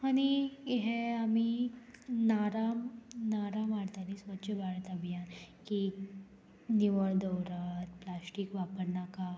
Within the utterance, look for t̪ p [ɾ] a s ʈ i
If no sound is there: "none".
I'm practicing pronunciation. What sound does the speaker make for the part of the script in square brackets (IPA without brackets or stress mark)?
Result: l